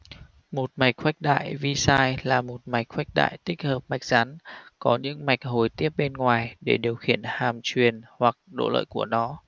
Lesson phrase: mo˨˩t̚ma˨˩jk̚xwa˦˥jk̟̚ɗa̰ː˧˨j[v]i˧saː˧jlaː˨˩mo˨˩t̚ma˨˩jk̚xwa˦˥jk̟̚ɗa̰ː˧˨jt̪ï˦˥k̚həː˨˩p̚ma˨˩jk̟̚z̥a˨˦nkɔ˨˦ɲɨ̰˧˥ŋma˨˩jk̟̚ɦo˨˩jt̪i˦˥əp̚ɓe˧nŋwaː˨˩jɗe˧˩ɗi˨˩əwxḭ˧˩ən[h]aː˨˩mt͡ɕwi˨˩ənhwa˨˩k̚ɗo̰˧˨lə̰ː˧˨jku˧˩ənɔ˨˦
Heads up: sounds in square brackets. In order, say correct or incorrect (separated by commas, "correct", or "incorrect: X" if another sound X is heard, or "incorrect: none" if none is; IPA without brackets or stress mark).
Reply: correct, correct